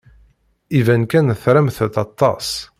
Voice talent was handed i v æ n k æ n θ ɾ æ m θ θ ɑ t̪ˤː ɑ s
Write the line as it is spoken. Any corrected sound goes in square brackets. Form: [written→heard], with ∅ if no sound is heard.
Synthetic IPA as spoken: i v æ n k æ n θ ɾ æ m θ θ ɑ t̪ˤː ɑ s